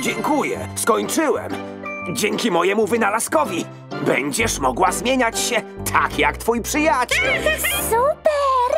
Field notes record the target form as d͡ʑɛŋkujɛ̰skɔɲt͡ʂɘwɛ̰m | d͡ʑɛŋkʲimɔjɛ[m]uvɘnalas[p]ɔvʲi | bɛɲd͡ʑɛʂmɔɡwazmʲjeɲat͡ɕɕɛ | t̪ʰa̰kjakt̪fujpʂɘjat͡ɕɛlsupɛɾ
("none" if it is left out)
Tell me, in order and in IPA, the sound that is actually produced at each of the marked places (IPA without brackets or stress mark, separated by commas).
m, k